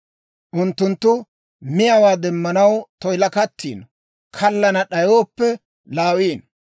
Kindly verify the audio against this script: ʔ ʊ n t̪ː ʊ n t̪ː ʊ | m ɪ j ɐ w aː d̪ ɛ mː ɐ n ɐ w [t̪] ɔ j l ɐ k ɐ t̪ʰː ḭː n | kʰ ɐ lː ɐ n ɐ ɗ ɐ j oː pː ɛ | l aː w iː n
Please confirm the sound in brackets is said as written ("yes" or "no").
yes